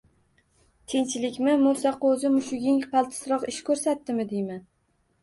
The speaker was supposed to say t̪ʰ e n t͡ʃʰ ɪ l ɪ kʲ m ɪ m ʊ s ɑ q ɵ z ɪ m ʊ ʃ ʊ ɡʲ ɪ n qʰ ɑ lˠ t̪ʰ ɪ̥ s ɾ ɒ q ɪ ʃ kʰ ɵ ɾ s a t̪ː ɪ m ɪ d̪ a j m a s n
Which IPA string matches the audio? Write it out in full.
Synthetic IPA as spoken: t̪ʰ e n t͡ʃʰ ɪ l ɪ kʲ m ɪ m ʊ s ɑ q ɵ z ɪ m ʊ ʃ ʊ ɡʲ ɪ ŋ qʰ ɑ lˠ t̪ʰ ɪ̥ s ɾ ɒ q ɪ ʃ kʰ ɵ ɾ s a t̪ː ɪ m ɪ d̪ e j m a n